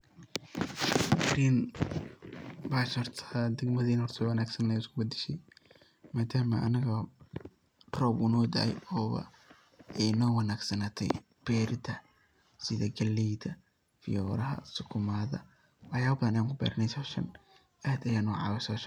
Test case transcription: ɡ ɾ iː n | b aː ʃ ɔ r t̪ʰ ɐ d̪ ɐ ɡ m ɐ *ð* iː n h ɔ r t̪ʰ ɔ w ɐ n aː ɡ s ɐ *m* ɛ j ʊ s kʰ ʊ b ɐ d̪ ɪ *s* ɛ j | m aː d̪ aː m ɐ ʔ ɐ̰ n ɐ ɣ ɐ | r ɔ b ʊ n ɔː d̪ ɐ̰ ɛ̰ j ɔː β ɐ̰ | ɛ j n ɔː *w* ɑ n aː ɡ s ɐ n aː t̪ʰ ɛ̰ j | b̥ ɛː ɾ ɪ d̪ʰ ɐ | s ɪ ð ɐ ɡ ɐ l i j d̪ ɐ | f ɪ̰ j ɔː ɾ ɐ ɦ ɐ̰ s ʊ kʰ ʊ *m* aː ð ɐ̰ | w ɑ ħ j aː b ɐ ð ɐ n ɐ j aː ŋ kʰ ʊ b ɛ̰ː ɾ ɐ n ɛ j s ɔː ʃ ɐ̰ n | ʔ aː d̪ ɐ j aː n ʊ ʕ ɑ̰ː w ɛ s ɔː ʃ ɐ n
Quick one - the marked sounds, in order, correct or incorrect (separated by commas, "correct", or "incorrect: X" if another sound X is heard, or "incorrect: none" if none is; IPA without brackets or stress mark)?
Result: correct, incorrect: n, incorrect: ʃ, correct, correct